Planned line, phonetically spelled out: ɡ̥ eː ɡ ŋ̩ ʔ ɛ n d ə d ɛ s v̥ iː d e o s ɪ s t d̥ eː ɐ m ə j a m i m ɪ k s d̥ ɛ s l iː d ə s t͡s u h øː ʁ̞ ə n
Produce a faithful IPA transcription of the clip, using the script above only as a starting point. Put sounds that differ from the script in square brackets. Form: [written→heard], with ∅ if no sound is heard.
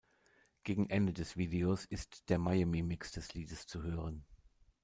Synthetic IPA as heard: ɡ̥ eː ɡ ŋ̩ ʔ ɛ n d ə d ɛ s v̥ iː d e o s ɪ s t d̥ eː ɐ m [ə→a] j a m i m ɪ k s d̥ ɛ s l iː d ə s t͡s u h øː ʁ̞ ə n